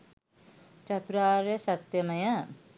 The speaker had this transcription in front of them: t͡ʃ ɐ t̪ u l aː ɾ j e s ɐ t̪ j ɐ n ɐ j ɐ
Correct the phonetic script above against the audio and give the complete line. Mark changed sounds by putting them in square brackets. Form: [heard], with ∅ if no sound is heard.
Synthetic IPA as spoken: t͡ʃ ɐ t̪ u [ɾ] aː ɾ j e s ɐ t̪ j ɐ [m] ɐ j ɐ